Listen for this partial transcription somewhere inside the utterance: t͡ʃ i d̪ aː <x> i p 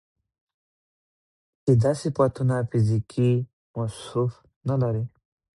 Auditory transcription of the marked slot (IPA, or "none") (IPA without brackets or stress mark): s